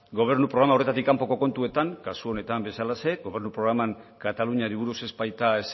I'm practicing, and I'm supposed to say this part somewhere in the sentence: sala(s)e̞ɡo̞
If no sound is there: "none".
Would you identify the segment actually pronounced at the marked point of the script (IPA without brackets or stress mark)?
s